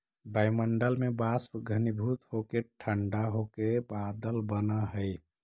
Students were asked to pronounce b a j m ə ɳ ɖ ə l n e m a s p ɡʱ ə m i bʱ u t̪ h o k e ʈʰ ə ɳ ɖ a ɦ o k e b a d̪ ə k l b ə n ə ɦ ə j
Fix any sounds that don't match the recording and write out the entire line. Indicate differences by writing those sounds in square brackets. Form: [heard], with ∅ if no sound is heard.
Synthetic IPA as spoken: b a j m ə ɳ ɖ ə l [m] e [b] a s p ɡʱ ə [n] i bʱ u t̪ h o k e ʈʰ ə ɳ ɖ a ɦ o k e b a d̪ ə [∅] l b ə n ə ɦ ə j